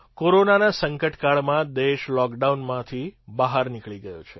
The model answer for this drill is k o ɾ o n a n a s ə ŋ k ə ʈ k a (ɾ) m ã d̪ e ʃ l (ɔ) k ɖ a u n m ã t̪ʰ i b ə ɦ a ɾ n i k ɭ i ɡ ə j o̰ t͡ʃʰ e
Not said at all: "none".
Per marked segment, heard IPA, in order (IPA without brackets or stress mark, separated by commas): ɭ, ɔ